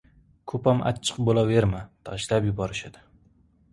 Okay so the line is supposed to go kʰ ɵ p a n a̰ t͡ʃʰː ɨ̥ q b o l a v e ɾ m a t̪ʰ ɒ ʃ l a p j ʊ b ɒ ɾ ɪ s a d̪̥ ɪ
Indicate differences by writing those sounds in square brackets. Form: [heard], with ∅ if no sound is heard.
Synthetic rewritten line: kʰ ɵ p a [m] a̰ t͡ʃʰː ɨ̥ q b o l a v e ɾ m a t̪ʰ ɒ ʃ l a p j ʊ b ɒ ɾ ɪ [ʃ] a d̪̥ ɪ